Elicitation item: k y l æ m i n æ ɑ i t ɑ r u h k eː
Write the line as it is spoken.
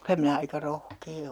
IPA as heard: k y l æ m i n æ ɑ i k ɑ r o h k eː